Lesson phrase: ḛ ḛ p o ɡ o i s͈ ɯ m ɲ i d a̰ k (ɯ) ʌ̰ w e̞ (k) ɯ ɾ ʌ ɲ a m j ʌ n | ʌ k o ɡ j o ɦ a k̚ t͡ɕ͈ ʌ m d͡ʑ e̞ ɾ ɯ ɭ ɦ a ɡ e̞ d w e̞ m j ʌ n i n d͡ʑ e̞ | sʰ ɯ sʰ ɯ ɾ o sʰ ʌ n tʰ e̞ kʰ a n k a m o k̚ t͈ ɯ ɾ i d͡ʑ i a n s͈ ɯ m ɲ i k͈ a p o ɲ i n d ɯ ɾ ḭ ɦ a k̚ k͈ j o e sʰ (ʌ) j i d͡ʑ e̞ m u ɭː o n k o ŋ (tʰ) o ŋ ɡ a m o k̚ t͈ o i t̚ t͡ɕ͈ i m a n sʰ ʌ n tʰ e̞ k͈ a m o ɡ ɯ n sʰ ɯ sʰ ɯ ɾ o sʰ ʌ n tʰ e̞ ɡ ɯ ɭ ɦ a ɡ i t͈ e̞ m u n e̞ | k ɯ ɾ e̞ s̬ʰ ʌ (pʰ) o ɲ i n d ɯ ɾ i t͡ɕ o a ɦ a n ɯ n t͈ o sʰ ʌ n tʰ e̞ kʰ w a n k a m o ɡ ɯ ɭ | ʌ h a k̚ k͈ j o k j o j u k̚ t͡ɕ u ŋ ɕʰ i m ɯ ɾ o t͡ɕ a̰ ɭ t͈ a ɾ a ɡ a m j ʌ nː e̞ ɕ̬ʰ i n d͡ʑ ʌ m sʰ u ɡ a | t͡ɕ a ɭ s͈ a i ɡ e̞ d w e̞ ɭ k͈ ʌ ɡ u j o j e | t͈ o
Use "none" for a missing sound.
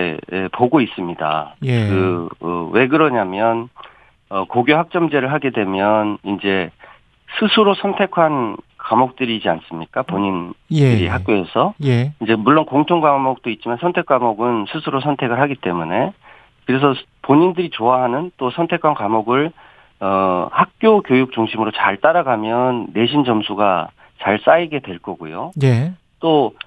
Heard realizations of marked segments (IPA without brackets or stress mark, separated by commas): ɯ, ɡ, ʌ, tʰ, p